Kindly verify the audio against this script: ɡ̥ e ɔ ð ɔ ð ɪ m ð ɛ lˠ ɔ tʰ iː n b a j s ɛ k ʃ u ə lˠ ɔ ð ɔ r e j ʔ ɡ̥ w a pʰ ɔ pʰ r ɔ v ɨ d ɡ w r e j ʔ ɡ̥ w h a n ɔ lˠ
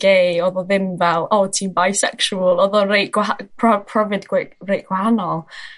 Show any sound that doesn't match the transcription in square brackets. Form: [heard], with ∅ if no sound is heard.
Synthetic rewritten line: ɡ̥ e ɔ ð ɔ ð ɪ m [v] ɛ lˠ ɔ tʰ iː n b a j s ɛ k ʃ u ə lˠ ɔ ð ɔ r e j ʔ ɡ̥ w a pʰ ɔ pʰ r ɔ v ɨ d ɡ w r e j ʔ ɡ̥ w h a n ɔ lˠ